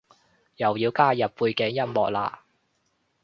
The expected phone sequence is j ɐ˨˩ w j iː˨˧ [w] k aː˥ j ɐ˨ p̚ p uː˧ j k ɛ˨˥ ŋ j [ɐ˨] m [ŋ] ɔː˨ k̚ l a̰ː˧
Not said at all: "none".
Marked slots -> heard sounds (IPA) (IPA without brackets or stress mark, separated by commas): w, ɐ˥, m